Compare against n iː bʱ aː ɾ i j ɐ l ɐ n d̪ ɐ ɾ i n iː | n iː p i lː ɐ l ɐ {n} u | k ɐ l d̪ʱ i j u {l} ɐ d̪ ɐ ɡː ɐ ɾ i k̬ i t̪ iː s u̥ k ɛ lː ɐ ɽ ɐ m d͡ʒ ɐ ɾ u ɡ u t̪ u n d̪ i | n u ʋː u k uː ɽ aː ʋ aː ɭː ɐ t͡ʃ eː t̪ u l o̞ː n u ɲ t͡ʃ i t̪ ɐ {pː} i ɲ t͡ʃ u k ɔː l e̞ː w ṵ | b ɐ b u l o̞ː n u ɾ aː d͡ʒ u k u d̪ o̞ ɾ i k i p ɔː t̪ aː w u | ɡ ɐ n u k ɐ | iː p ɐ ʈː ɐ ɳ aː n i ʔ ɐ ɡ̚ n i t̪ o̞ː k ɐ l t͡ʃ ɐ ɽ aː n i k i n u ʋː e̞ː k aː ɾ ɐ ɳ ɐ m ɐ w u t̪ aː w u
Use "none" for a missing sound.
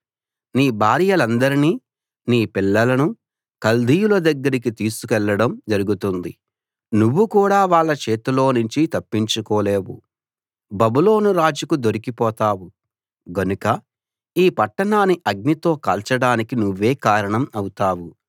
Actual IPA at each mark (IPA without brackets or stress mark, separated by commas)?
n, l, pː